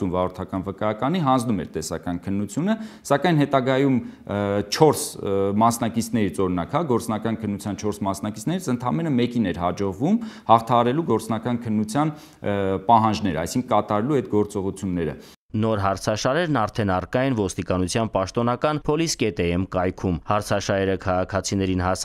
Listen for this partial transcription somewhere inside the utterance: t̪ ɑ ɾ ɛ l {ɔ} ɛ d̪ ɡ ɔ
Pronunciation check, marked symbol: incorrect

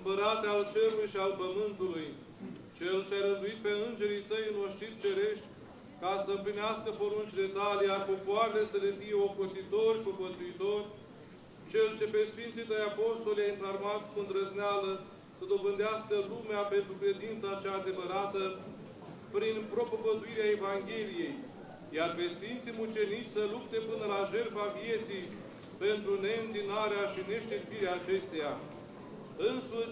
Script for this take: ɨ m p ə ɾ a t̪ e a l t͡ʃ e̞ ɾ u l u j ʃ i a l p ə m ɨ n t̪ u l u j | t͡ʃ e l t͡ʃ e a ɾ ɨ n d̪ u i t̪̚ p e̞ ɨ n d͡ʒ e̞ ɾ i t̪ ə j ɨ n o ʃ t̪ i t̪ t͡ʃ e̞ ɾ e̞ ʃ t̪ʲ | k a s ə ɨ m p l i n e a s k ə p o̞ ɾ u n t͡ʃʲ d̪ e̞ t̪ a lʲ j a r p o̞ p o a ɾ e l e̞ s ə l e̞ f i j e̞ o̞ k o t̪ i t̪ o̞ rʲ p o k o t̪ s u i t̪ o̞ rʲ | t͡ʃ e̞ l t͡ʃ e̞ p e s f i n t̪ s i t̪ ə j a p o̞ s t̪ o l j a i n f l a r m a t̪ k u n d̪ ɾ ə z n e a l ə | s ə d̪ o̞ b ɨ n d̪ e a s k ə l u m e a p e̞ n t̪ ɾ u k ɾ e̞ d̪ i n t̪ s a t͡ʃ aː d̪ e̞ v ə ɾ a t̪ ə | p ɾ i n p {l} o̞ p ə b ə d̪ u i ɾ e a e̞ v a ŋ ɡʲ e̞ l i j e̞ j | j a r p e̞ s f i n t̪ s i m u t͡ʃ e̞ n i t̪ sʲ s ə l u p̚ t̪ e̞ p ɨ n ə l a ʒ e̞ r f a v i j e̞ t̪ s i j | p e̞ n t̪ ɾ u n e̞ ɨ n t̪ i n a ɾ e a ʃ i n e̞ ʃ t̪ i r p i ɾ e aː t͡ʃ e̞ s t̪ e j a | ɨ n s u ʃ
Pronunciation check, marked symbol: incorrect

